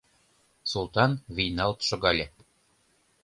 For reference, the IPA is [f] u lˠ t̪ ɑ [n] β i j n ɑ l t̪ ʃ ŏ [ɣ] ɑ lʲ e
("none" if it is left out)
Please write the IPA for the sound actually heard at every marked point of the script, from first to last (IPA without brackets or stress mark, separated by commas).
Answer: s, n, ɣ